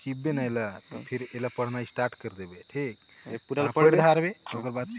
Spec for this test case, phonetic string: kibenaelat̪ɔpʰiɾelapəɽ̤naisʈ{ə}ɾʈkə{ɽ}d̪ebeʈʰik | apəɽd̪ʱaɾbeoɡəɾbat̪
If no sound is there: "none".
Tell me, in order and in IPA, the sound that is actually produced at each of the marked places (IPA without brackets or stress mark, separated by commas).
a, ɾ